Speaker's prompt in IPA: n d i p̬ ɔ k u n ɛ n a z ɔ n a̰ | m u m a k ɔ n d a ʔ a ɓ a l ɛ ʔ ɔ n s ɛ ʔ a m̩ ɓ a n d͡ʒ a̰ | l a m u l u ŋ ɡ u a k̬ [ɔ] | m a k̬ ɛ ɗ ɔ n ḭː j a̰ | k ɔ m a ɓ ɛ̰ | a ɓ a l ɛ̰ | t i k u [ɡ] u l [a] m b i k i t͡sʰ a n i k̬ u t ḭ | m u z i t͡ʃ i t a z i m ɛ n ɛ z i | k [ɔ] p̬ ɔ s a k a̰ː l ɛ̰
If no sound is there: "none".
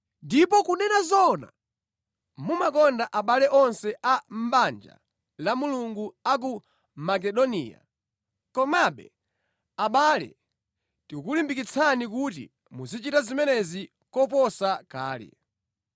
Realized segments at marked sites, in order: u, k, i, ɔ

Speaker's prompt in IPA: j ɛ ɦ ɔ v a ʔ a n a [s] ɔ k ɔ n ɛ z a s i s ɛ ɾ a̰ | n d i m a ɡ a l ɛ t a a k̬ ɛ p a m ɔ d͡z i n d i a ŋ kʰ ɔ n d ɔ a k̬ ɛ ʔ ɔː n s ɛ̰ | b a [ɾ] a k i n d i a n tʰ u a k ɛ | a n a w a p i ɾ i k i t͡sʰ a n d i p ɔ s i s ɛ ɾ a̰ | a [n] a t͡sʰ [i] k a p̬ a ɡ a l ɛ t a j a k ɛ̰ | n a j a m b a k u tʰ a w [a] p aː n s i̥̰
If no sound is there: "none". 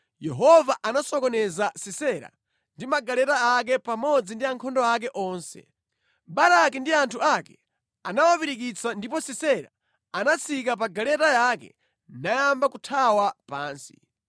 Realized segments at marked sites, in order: s, ɾ, n, i, a

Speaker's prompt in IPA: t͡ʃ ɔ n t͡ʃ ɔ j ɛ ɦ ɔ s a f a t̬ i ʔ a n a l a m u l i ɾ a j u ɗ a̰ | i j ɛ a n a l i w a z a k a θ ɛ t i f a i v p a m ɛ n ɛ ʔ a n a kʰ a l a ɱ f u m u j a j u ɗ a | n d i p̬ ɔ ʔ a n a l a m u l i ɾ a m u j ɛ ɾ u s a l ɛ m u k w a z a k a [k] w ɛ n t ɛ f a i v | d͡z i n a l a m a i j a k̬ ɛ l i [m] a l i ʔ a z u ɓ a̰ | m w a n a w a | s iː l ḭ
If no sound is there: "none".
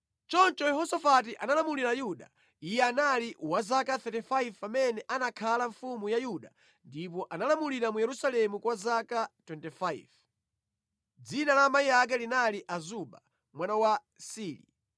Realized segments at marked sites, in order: t, n

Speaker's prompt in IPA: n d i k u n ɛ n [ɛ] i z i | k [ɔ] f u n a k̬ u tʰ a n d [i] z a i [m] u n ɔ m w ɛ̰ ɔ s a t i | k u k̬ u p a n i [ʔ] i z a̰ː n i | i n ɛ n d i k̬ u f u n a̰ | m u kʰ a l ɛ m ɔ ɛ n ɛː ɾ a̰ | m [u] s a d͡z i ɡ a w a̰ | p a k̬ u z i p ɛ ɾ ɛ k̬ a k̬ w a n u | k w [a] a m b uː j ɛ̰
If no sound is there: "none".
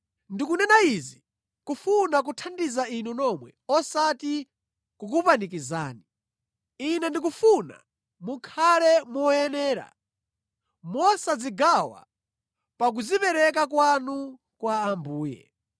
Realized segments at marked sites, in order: a, u, i, n, k, ɔ, a

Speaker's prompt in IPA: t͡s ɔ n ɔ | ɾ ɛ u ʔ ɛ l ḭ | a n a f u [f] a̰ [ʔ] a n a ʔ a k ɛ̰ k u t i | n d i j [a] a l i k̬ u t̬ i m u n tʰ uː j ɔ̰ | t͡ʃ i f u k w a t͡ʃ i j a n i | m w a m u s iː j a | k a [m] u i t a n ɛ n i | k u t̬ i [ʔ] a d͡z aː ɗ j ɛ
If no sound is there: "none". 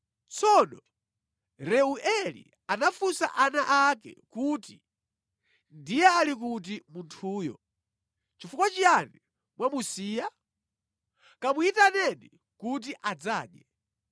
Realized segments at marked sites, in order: s, ʔ, ɛ, m, ʔ

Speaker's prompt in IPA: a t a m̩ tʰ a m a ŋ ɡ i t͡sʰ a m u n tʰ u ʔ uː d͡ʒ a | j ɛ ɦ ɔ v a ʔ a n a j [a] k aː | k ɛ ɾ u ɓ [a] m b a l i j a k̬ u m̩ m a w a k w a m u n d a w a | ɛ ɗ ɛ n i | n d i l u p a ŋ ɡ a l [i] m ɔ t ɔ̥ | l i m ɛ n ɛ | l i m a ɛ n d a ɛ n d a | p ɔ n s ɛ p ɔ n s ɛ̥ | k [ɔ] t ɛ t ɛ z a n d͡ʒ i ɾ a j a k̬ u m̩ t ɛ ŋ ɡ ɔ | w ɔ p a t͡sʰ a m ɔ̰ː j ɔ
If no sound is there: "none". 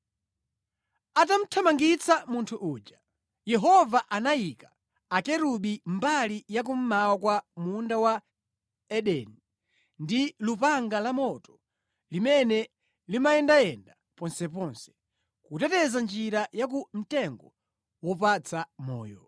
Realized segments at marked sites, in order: i, i, a, u

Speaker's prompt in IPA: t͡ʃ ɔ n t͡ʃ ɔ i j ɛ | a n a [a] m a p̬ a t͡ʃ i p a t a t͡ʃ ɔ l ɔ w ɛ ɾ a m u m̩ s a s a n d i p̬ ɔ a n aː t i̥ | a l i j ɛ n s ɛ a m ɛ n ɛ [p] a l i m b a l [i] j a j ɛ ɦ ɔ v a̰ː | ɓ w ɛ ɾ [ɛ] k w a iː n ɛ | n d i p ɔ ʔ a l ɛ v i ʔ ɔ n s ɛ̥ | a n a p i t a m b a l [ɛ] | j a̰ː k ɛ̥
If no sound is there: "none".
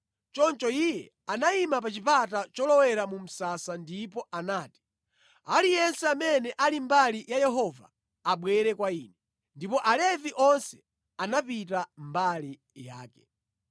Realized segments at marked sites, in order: i, ʔ, i, ɛ, i

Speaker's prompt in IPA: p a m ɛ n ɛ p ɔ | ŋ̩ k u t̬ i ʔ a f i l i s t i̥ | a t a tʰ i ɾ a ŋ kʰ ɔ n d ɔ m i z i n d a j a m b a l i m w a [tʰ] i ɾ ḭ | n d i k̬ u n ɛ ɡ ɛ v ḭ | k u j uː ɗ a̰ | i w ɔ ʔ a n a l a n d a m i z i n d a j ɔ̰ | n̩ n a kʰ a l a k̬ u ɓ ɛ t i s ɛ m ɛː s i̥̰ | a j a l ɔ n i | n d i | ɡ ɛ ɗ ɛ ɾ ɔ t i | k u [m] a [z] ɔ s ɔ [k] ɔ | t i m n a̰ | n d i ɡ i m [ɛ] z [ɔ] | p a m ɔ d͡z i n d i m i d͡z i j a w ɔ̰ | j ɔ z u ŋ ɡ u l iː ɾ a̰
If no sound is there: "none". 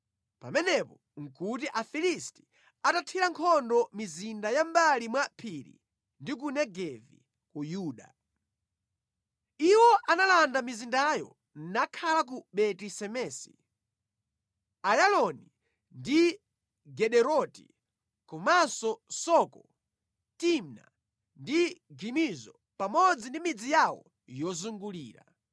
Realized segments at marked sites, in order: pʰ, m, s, k, i, ɔ

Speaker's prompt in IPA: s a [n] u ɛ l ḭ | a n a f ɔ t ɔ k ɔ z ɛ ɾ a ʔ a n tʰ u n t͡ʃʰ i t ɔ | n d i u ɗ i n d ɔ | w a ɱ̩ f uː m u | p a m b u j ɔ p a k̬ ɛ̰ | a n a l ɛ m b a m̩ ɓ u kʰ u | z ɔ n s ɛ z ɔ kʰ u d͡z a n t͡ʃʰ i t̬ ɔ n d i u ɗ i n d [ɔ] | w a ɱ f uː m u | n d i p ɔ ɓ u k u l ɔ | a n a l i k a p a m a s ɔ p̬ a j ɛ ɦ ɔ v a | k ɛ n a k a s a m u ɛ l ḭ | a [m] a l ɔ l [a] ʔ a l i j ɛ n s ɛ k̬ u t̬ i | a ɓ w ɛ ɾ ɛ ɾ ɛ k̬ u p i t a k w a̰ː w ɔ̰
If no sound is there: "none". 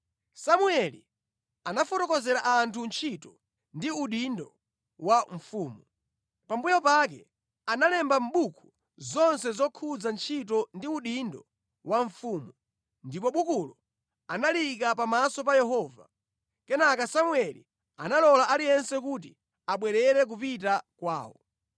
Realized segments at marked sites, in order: m, ɔ, n, a

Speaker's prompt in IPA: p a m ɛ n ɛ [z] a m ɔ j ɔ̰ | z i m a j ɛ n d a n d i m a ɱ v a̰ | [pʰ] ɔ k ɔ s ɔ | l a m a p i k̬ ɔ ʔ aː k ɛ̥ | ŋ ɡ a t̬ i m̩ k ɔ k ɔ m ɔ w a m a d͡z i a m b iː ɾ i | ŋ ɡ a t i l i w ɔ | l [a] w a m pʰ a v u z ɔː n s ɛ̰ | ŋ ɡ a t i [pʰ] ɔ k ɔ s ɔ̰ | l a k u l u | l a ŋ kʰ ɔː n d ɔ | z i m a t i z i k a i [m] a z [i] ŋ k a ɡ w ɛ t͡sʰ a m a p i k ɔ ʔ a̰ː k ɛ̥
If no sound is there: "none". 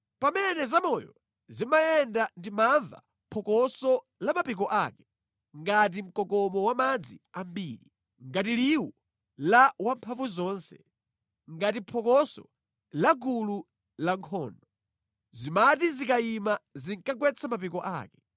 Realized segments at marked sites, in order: z, pʰ, a, pʰ, m, i

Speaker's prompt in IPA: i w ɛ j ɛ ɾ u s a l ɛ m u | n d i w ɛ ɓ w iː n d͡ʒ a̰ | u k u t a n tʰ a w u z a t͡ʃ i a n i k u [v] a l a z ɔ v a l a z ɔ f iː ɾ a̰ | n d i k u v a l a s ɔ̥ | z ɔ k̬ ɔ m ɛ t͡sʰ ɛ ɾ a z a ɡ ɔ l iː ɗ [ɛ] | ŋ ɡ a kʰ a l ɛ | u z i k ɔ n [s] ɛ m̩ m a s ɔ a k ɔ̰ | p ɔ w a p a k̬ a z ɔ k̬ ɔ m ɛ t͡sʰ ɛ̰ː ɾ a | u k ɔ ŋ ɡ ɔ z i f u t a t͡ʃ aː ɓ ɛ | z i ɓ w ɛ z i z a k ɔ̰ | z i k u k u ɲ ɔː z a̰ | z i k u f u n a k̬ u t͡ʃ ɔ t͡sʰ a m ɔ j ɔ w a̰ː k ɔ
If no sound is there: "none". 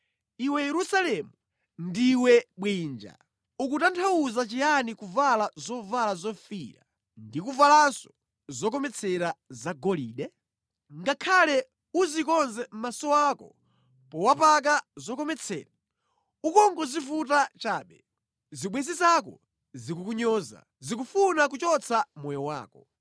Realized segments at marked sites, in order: v, ɛ, z

